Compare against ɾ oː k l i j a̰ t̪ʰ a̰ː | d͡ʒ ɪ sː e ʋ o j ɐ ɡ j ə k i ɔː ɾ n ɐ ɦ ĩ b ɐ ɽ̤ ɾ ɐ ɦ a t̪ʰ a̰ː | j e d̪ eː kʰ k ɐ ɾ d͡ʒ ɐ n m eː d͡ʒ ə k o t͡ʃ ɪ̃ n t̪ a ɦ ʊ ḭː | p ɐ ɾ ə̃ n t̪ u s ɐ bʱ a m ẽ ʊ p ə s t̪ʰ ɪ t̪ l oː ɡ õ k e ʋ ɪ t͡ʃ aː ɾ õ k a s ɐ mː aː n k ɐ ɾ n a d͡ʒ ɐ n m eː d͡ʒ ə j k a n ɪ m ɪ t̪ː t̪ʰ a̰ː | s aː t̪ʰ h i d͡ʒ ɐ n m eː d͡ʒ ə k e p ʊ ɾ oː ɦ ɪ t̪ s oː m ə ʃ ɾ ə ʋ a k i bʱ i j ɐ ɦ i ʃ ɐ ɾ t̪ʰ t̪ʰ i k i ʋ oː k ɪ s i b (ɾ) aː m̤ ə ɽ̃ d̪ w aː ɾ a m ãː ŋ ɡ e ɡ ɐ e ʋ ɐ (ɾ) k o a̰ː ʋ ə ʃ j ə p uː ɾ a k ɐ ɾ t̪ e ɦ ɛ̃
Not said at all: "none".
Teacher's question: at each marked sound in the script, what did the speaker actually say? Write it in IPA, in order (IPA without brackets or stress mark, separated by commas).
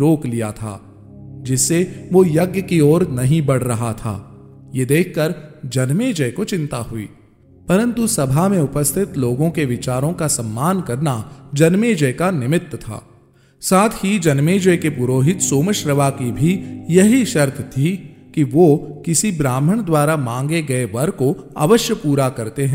ɾ, ɾ